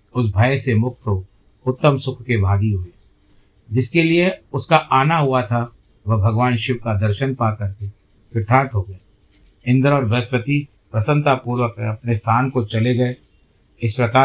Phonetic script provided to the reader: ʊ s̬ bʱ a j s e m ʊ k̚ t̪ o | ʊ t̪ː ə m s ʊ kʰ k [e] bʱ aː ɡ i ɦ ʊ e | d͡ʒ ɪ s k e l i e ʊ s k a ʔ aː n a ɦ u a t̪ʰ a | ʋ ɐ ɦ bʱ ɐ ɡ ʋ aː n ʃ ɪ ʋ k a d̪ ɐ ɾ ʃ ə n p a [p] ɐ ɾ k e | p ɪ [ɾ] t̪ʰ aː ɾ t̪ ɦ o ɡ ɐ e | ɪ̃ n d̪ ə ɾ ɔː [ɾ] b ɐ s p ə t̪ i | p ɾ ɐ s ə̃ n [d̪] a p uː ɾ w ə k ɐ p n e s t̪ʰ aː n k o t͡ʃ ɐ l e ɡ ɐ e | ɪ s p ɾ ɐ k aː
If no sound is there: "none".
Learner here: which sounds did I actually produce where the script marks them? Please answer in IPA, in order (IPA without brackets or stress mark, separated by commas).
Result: e, k, ɾ, ɾ, t̪